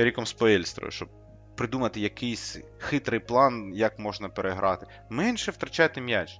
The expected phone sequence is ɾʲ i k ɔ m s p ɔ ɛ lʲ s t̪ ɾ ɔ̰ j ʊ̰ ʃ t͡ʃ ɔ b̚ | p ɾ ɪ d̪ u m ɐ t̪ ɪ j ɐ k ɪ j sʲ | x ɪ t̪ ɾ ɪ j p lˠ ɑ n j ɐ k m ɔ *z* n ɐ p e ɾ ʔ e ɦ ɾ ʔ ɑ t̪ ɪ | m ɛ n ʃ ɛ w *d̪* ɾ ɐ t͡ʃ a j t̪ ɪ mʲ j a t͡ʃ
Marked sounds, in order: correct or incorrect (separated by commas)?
incorrect, incorrect